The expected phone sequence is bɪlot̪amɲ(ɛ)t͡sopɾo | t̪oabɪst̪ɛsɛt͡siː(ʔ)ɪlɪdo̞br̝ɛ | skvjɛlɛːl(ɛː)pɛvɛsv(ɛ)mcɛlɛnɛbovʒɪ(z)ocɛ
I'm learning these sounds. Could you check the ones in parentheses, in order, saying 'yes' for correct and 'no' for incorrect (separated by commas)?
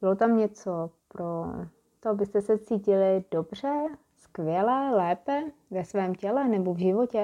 yes, no, yes, no, no